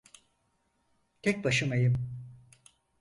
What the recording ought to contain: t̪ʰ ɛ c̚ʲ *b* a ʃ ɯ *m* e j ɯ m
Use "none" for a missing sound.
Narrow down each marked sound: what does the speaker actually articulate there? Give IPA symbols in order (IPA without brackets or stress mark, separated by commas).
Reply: b, m